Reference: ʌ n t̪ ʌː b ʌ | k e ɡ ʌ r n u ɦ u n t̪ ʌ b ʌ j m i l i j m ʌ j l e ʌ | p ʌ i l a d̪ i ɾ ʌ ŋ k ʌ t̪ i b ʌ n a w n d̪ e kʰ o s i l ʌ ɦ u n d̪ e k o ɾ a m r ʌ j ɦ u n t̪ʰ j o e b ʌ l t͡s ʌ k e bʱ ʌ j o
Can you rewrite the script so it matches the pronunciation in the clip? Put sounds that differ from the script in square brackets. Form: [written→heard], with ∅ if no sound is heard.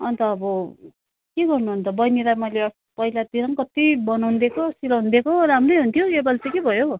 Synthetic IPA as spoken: ʌ n t̪ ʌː b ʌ | k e ɡ ʌ r n u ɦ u n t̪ ʌ b ʌ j [m→n] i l [i→a] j m ʌ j l e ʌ | p ʌ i l a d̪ i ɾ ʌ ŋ k ʌ t̪ i b ʌ n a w n d̪ e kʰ o s i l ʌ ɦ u n d̪ e k o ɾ a m r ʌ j ɦ u n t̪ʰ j o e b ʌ l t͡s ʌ k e bʱ ʌ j o